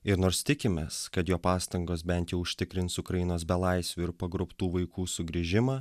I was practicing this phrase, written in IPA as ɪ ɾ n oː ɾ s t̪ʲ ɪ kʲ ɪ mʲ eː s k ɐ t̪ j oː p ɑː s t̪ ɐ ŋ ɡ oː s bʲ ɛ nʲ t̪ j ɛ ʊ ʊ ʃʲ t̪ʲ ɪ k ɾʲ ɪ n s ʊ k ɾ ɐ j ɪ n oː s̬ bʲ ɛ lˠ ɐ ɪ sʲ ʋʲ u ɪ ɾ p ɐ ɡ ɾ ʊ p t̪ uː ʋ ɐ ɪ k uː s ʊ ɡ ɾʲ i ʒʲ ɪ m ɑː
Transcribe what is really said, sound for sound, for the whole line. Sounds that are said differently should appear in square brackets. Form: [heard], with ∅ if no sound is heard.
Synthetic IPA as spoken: ɪ ɾ n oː ɾ s t̪ʲ ɪ kʲ ɪ mʲ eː s k ɐ t̪ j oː p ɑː s t̪ ɐ ŋ ɡ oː s bʲ ɛ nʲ t̪ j ɛ ʊ ʊ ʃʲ t̪ʲ ɪ k ɾʲ ɪ n s ʊ k ɾ ɐ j ɪ n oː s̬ bʲ ɛ lˠ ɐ ɪ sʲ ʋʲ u ɪ ɾ p ɐ ɡ ɾ ʊ p t̪ uː ʋ ɐ ɪ k uː s ʊ ɡ ɾʲ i ʒʲ ɪ m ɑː

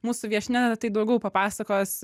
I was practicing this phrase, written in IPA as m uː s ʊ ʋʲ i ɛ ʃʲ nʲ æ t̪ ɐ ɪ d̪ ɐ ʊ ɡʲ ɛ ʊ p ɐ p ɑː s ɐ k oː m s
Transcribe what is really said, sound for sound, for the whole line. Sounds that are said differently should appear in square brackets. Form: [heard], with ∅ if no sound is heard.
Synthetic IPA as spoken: m uː s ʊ ʋʲ i ɛ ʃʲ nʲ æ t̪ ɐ ɪ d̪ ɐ ʊ ɡʲ ɛ ʊ p ɐ p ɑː s ɐ k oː [∅] s

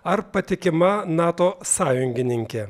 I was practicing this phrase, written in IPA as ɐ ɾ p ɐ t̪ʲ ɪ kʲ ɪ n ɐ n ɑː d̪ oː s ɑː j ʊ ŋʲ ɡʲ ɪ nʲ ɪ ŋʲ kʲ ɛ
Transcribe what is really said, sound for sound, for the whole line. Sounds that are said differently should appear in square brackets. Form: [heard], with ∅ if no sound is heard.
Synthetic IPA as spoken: ɐ ɾ p ɐ t̪ʲ ɪ kʲ ɪ [m] ɐ n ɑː [t̪] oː s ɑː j ʊ ŋʲ ɡʲ ɪ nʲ ɪ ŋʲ kʲ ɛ

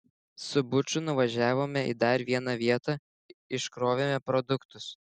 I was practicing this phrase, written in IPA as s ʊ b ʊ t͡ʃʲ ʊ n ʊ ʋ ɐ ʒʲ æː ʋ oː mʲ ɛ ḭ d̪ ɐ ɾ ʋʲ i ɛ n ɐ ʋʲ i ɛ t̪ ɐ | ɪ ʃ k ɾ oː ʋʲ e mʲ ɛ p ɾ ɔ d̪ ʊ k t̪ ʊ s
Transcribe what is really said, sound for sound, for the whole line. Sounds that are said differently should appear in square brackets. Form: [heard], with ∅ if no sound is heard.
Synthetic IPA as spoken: s ʊ b ʊ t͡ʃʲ ʊ n ʊ ʋ ɐ ʒʲ æː ʋ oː mʲ ɛ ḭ d̪ ɐ ɾ ʋʲ i ɛ n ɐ ʋʲ i ɛ t̪ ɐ | ɪ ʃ k ɾ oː ʋʲ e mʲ ɛ p ɾ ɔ d̪ ʊ k t̪ ʊ s

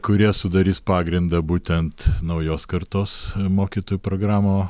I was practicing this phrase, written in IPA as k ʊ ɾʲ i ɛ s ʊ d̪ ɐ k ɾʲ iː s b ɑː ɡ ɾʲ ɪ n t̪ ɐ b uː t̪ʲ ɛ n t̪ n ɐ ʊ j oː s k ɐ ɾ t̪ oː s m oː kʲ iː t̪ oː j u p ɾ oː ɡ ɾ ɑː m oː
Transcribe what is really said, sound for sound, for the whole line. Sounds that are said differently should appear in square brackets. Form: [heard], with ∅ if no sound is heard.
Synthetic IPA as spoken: k ʊ ɾʲ i ɛ s ʊ d̪ ɐ [∅] ɾʲ iː s [p] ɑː ɡ ɾʲ ɪ n [d̪] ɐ b uː t̪ʲ ɛ n t̪ n ɐ ʊ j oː s k ɐ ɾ t̪ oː s m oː kʲ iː t̪ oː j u p ɾ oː ɡ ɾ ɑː m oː

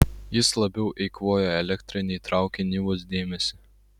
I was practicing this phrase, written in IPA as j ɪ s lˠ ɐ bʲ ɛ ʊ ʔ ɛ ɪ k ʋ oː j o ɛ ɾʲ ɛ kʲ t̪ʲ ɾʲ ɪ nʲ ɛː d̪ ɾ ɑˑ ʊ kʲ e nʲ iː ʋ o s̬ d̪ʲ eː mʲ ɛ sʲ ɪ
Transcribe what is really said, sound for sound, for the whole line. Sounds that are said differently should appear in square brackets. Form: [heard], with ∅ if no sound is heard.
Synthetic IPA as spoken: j ɪ s lˠ ɐ bʲ ɛ ʊ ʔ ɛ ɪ k ʋ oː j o ɛ [lʲ] ɛ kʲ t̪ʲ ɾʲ ɪ nʲ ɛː [t̪] ɾ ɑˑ ʊ kʲ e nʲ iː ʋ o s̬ d̪ʲ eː mʲ ɛ sʲ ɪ

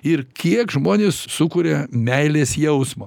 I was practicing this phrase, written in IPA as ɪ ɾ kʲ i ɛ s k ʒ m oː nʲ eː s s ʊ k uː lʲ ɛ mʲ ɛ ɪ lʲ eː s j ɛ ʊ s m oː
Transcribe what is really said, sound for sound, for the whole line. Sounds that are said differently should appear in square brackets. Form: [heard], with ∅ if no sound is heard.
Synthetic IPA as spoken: ɪ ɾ kʲ i ɛ [∅] k ʒ m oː nʲ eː s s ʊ k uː [ɾʲ] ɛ mʲ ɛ ɪ lʲ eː s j ɛ ʊ s m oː

